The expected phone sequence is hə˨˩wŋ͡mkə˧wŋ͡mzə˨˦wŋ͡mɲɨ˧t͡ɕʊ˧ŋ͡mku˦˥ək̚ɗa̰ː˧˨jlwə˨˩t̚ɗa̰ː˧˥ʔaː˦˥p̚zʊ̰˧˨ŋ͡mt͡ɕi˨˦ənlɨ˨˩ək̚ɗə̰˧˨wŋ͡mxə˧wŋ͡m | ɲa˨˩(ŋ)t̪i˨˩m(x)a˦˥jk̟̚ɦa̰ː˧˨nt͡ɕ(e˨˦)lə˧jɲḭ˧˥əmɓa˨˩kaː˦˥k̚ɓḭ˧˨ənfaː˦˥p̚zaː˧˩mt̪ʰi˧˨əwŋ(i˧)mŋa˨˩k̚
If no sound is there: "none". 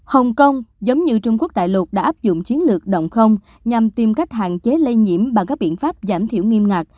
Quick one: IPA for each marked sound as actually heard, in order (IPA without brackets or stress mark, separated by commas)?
m, k, e˨˦, i˧